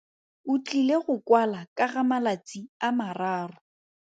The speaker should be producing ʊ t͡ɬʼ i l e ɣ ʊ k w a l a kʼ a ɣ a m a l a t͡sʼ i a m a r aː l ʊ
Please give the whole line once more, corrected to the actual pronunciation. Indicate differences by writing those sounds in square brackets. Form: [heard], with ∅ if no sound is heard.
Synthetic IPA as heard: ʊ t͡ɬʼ i l e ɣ ʊ k w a l a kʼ a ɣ a m a l a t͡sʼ i a m a r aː [r] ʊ